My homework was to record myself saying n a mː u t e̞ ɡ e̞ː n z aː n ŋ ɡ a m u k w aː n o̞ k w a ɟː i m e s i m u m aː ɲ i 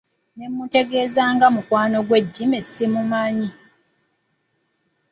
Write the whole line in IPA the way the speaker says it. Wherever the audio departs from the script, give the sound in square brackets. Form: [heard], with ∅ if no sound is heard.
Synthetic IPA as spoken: n [e] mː u t e̞ ɡ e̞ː [∅] z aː [∅] ŋ ɡ a m u k w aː n o̞ [ɡ] w [e] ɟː i m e s i m u m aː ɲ i